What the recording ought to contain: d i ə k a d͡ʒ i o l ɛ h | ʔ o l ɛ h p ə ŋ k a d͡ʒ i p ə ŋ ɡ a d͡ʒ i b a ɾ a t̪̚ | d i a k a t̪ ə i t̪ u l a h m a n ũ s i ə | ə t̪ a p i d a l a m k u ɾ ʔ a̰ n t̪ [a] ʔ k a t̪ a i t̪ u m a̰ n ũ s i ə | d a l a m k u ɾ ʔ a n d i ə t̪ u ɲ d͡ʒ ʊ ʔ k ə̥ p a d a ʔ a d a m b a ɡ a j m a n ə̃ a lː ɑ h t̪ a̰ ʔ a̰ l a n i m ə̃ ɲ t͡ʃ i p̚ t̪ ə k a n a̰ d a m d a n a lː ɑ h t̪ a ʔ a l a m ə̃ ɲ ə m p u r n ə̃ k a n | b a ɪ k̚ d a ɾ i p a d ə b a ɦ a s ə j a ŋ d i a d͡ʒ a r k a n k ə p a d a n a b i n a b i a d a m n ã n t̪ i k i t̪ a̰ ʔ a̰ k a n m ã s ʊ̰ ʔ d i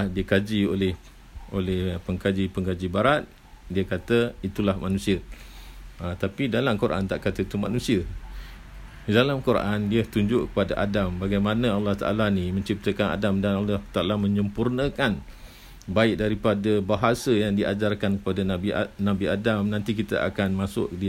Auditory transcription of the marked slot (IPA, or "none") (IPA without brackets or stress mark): a